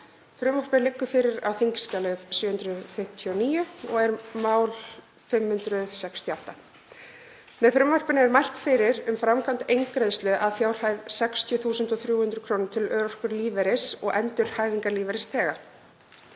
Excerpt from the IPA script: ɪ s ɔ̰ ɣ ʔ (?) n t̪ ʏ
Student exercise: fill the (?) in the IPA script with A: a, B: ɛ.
B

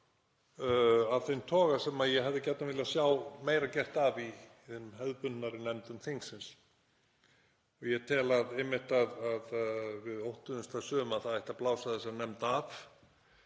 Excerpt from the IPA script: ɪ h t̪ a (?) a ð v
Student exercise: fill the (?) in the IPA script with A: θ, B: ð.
B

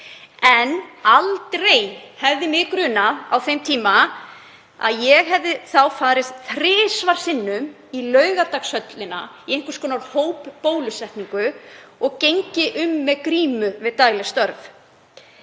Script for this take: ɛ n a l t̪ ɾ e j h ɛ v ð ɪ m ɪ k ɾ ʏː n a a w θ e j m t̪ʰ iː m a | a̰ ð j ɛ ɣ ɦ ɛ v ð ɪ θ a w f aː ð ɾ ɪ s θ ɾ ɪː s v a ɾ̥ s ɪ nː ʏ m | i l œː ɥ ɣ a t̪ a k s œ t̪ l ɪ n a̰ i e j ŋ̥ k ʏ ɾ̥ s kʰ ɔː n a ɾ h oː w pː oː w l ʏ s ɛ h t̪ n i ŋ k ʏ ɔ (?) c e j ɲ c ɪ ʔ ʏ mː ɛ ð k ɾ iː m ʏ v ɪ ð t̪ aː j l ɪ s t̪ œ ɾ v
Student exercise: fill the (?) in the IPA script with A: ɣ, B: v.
A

